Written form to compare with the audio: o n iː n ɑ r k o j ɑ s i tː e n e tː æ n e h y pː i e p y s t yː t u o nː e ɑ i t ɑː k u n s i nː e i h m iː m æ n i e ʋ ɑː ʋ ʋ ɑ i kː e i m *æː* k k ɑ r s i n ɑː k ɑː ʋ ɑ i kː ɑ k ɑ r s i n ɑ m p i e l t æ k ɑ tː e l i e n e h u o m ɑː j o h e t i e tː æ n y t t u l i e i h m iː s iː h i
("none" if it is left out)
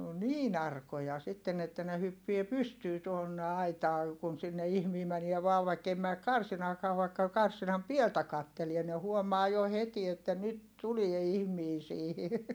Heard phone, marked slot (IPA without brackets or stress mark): æː